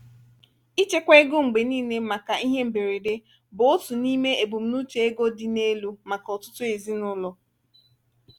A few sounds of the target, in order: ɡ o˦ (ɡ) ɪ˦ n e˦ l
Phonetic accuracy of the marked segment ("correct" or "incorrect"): incorrect